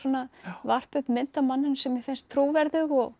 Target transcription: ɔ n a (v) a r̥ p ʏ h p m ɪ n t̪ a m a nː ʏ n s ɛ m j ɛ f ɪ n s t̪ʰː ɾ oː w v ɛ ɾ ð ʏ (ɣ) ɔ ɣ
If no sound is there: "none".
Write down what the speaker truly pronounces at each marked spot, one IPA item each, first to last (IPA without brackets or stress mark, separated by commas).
v, ɣ